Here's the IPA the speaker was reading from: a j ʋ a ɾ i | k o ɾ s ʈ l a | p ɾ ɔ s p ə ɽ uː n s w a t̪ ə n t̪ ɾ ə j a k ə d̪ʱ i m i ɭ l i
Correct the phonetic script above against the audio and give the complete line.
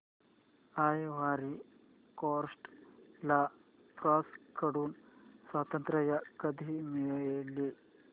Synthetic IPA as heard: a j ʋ a ɾ i | k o ɾ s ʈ l a | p ɾ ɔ s k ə ɽ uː n s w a t̪ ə n t̪ ɾ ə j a k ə d̪ʱ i m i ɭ l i